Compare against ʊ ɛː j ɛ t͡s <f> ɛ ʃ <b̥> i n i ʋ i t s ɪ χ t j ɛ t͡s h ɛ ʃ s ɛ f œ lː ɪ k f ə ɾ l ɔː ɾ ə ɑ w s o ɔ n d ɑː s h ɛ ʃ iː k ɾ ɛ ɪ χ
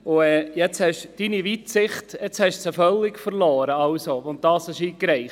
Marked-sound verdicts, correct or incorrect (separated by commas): incorrect, incorrect